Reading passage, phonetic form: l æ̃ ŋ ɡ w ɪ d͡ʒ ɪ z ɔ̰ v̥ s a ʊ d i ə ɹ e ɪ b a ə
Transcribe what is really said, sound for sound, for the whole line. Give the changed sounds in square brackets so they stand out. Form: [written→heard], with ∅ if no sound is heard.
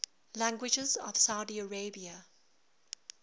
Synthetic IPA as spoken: l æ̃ ŋ ɡ w ɪ d͡ʒ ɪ z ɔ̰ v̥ s a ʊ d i ə ɹ e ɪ b [a→i] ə